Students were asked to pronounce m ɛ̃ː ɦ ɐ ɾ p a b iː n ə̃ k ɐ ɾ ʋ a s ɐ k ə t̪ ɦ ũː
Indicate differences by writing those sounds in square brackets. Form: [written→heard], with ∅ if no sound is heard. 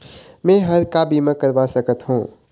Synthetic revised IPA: m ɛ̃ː ɦ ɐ ɾ [p→k] a b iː [n→m] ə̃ k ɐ ɾ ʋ a s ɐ k ə t̪ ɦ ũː